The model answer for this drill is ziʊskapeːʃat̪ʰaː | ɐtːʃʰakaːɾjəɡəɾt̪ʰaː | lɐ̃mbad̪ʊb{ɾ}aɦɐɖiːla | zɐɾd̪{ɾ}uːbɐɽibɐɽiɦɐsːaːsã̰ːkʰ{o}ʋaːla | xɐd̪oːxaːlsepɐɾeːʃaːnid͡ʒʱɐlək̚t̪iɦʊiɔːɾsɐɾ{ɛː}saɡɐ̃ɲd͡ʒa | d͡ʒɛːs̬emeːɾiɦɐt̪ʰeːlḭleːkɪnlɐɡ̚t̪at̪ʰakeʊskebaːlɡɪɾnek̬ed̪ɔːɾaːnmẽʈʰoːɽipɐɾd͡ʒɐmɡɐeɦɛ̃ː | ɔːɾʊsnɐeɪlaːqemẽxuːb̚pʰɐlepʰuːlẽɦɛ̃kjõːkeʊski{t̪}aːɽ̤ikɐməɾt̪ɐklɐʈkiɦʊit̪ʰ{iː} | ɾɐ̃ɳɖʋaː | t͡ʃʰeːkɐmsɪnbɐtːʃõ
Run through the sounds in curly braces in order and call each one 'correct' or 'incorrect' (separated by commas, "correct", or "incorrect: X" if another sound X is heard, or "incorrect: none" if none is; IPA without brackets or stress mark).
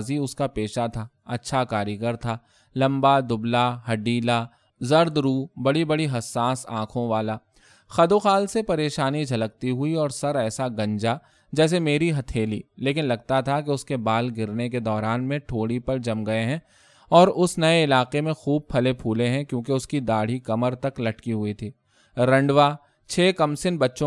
incorrect: l, correct, incorrect: õ, correct, incorrect: d̪, correct